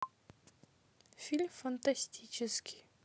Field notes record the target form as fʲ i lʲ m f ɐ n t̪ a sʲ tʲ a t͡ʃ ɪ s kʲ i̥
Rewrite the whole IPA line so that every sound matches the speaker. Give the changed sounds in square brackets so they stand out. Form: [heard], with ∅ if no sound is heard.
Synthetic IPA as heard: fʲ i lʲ m f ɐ n t̪ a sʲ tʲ [i] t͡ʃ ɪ s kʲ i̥